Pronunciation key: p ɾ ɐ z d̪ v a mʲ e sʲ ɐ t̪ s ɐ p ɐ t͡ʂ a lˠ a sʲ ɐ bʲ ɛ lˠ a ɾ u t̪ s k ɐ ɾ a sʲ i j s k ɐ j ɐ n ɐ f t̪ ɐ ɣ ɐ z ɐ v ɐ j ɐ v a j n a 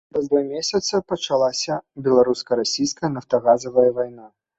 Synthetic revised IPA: p ɾ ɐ z d̪ v a mʲ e sʲ ɐ t̪ s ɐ p ɐ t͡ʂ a lˠ a sʲ ɐ bʲ ɛ lˠ a ɾ u s k ɐ ɾ a sʲ i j s k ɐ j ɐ n ɐ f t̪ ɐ ɣ a z ɐ v ɐ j ɐ v a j n a